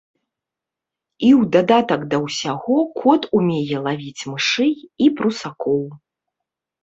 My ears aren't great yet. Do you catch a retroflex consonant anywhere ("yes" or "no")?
yes